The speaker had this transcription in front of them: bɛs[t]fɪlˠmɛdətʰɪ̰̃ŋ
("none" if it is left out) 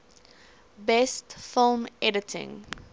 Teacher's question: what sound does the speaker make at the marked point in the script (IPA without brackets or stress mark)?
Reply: t